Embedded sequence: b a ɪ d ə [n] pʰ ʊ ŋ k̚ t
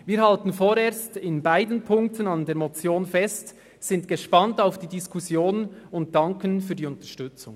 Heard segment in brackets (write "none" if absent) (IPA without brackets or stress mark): n